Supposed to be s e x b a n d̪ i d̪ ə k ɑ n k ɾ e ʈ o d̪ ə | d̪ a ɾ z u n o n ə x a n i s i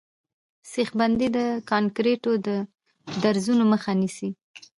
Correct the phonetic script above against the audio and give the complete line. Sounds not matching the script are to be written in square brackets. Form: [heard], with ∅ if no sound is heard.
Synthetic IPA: s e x b a n d̪ i d̪ ə k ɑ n k ɾ e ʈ o d̪ ə | d̪ a ɾ z u n o [m] ə x a n i s i

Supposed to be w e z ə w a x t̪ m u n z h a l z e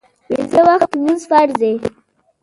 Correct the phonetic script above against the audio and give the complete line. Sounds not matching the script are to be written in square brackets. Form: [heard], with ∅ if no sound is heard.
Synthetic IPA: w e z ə w a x t̪ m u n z [f] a [ɾ] z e

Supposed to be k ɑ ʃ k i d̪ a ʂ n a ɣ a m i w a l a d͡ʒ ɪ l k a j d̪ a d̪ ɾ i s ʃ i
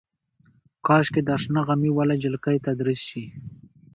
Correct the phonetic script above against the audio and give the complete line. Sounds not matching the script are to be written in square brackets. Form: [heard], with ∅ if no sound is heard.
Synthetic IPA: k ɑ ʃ k [e] d̪ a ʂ n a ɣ a m i w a l a d͡ʒ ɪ l k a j [t̪] a d̪ ɾ i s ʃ i

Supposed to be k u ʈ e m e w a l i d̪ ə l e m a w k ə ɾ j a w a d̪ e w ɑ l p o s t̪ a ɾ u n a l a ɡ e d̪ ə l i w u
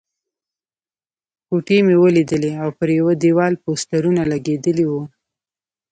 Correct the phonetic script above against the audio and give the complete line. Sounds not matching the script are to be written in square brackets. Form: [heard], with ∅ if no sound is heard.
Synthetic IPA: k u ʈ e m e w [ə] l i d̪ ə l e [∅] a w [p] ə ɾ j a w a d̪ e w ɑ l p o s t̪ a ɾ u n a l a ɡ e d̪ ə l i w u

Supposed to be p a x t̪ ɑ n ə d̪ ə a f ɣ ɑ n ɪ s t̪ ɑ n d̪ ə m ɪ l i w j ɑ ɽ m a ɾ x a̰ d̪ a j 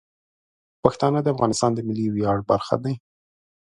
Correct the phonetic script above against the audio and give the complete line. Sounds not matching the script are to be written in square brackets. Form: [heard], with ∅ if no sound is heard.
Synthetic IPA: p a x t̪ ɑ n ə d̪ ə a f ɣ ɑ n ɪ s t̪ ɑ n d̪ ə m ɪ l i w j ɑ ɽ [b] a ɾ x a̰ d̪ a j

